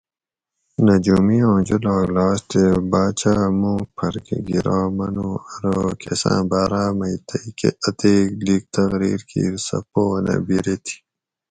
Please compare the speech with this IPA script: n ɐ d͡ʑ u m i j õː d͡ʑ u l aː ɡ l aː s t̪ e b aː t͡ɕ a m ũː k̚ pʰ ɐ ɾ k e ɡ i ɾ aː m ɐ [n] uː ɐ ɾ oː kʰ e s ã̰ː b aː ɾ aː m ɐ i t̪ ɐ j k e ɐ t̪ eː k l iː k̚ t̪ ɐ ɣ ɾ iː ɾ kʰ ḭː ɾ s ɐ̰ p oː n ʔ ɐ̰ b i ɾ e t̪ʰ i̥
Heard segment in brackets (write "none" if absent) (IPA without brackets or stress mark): n